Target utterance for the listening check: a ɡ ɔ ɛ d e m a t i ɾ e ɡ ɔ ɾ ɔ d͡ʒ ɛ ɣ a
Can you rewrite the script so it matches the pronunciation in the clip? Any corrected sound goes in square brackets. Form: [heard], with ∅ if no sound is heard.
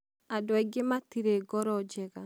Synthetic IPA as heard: a [d] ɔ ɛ [ɡ] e m a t i ɾ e ɡ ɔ ɾ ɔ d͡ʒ ɛ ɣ a

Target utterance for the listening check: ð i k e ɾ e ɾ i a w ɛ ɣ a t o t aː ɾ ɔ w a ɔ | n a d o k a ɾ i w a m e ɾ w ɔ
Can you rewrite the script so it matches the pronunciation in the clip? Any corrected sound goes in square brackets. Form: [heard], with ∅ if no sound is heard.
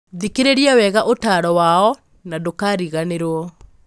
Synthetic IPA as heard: ð i k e ɾ e ɾ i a w ɛ ɣ a [ʔ] o t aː ɾ ɔ w a ɔ | n a d o k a ɾ i [ɣ] a [n] e ɾ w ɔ

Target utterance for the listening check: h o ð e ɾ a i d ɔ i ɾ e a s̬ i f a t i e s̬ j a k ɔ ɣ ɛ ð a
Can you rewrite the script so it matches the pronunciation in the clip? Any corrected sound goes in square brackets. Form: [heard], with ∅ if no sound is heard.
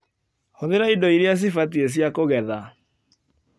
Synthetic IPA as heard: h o ð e ɾ a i d ɔ i ɾ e a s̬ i f a t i e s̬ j a k [o] ɣ ɛ ð a

